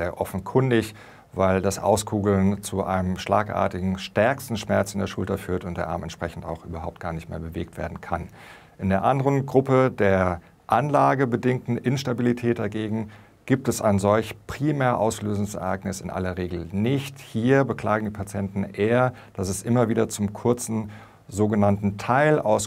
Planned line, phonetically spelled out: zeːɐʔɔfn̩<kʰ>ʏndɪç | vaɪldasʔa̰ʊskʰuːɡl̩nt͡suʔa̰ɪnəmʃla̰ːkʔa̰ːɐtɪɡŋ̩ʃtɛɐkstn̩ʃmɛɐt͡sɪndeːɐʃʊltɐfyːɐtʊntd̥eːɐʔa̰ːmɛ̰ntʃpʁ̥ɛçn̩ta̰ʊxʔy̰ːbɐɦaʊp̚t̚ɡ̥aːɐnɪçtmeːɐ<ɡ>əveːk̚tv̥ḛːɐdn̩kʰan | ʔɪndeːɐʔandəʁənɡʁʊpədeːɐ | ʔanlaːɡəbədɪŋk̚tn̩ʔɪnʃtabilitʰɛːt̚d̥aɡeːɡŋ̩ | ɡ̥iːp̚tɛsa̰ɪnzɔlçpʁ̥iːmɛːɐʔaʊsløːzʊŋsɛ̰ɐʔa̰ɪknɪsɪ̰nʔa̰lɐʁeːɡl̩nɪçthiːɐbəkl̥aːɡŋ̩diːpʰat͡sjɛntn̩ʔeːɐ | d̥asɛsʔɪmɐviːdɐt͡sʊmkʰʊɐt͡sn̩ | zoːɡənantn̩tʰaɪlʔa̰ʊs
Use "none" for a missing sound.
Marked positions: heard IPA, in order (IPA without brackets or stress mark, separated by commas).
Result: kʰ, b